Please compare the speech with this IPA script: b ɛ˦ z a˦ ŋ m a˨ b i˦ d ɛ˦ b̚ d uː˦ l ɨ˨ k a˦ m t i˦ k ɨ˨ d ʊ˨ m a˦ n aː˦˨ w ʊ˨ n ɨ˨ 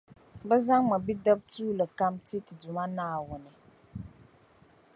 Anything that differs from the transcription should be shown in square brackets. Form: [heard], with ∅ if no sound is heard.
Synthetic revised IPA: b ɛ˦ z a˦ ŋ m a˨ b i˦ d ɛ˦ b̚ [t] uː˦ l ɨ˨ k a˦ m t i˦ [t] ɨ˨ d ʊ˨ m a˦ n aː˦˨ w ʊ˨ n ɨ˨